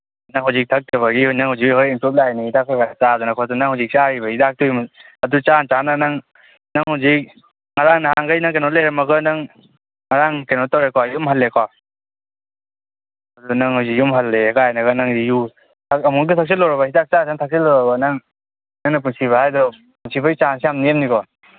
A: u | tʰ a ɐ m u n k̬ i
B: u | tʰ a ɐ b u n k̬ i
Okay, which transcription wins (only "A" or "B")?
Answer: A